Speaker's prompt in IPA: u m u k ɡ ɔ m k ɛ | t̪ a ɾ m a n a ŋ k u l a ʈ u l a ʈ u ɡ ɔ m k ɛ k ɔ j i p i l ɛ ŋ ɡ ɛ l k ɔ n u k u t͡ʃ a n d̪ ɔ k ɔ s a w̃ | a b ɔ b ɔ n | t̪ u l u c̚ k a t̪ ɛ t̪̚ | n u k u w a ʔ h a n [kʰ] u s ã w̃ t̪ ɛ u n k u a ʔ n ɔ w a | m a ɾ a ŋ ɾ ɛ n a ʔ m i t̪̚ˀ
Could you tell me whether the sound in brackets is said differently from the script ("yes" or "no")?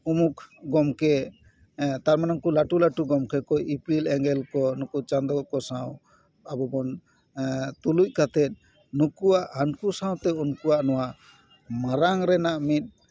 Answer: yes